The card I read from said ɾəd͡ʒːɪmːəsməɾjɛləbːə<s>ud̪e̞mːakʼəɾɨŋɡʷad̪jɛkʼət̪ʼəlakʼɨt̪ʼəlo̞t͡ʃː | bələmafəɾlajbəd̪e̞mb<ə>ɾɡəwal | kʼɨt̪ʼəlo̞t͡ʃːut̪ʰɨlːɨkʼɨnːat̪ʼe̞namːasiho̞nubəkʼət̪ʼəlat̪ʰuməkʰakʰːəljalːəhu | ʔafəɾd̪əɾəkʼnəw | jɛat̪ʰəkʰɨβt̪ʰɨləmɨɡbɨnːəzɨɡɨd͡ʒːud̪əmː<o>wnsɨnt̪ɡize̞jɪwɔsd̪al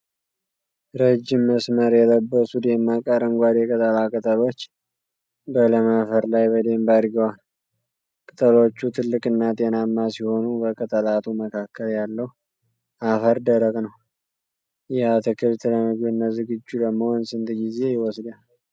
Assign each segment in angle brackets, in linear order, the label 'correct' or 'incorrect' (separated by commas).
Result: correct, incorrect, correct